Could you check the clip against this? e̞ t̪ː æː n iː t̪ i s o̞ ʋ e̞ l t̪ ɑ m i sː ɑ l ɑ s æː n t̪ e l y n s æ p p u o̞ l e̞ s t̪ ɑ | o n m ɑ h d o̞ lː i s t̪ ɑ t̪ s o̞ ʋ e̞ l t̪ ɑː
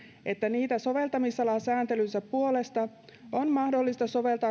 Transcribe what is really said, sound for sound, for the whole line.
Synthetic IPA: e̞ t̪ː æ n iː t̪ æ s o̞ ʋ e̞ l t̪ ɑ m i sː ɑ l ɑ s æː n t̪ e l y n s æ p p u o̞ l e̞ s t̪ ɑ | o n m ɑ h d o̞ lː i s t̪ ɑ s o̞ ʋ e̞ l t̪ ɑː

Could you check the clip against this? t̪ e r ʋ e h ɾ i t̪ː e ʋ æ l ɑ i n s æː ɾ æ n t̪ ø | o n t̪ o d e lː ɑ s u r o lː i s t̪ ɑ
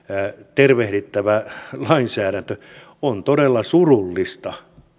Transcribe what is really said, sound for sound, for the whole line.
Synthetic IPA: t̪ e r ʋ e h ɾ i t̪ː æ ʋ æ l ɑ i n s æː ɾ æ n t̪ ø | o n t̪ o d e lː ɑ s u r u lː i s t̪ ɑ

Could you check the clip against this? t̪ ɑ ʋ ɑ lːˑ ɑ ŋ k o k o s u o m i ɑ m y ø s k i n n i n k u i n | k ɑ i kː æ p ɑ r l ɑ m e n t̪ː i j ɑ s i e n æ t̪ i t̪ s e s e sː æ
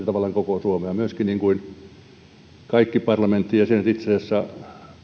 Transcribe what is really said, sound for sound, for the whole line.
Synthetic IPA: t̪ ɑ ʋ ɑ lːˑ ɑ ŋ k o k o s u o m e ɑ m y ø s k i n n i ŋ k u i n | k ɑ i kː i p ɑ r l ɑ m e n t̪ː i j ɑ s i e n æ t̪ i t̪ s e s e sː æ

